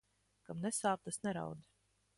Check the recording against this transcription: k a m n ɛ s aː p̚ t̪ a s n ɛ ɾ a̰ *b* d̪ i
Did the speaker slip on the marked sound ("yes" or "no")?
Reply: yes